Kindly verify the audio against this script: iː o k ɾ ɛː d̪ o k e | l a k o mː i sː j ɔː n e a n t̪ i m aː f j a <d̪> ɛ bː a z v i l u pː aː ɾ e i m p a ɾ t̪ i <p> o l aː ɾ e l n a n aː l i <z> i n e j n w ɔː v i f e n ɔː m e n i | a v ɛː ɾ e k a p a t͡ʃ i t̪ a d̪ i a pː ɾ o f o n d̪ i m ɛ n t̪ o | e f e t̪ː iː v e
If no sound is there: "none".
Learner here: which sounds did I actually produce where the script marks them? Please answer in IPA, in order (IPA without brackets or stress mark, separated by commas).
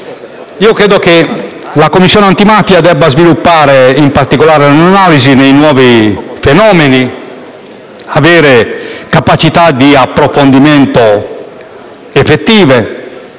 d̪, k, z